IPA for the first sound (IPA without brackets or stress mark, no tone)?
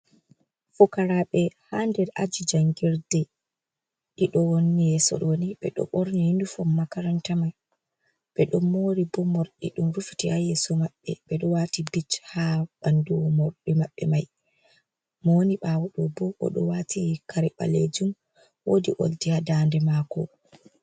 f